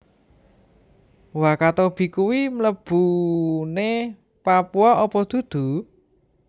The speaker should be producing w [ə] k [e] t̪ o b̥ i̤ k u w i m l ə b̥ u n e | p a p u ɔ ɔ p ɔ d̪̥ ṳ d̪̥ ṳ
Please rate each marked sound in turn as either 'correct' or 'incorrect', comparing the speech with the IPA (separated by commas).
incorrect, incorrect